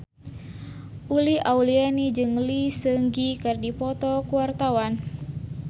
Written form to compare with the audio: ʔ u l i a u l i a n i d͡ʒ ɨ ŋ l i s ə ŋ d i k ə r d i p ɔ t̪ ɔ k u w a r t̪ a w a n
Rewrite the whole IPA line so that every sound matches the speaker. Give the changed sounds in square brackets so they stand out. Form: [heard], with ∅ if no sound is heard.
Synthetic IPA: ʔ u l i a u l i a n i d͡ʒ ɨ ŋ l i s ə ŋ [ɡ] i k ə r d i p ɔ t̪ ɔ k u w a r t̪ a w a n